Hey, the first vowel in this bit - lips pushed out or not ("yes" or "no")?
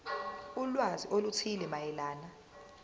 yes